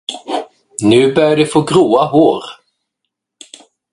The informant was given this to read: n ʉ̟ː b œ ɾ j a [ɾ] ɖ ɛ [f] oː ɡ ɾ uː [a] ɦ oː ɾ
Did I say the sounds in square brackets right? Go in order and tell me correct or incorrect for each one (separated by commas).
incorrect, correct, correct